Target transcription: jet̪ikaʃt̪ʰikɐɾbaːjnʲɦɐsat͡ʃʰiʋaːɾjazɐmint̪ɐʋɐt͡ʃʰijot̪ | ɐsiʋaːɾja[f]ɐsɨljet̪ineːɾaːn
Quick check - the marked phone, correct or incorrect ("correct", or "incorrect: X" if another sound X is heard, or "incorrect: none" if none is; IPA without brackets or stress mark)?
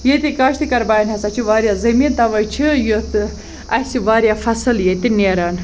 correct